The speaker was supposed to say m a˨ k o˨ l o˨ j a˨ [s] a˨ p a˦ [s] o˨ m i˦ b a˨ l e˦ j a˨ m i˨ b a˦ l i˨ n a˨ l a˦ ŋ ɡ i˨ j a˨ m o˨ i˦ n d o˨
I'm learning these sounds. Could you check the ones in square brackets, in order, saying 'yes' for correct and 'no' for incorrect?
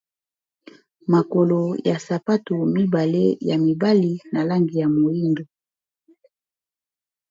yes, no

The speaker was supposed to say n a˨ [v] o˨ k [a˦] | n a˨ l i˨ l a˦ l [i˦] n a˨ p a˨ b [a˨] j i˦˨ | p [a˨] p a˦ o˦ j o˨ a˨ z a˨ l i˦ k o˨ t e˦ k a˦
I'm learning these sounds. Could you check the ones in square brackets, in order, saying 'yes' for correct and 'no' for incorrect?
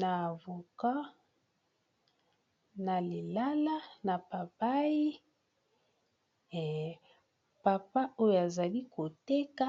yes, yes, no, no, yes

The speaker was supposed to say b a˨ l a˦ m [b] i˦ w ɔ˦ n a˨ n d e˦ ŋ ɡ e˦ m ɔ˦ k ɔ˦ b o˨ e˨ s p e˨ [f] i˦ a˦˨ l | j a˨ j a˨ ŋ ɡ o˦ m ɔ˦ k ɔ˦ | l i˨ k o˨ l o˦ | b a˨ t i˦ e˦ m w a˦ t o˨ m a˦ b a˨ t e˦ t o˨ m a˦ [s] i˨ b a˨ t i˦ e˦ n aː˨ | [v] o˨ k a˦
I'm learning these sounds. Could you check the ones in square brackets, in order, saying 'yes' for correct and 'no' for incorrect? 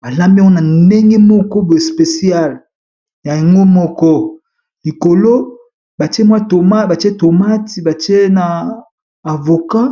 yes, no, no, yes

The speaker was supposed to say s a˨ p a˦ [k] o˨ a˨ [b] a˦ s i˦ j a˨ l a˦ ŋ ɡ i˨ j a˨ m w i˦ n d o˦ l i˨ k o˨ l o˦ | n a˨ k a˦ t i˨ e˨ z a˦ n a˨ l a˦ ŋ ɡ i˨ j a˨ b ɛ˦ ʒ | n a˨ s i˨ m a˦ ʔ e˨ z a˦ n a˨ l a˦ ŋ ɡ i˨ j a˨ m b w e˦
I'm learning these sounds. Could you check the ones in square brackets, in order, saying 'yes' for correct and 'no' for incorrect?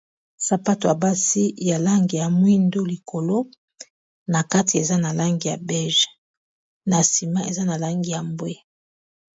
no, yes

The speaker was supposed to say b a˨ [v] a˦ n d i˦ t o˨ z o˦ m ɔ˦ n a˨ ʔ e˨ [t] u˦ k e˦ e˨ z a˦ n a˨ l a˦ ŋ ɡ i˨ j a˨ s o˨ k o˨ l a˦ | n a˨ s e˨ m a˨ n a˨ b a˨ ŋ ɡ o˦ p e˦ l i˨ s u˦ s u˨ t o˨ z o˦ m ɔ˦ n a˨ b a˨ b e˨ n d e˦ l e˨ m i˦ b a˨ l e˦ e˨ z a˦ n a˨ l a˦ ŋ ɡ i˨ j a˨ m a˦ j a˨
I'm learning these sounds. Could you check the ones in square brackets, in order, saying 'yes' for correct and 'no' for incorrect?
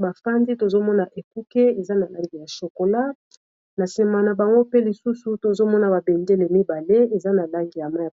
no, no

